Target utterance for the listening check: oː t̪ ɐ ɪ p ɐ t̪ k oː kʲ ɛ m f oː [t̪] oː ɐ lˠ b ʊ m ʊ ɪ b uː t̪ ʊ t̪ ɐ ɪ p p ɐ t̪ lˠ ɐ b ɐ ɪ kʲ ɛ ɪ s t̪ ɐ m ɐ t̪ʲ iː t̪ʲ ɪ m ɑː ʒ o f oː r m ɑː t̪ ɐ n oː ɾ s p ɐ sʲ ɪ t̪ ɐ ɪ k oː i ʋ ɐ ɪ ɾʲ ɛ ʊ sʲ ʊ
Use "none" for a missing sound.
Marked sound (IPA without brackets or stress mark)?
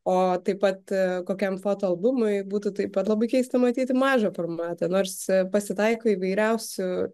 t̪